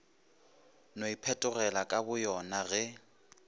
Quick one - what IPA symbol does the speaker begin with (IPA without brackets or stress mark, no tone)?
n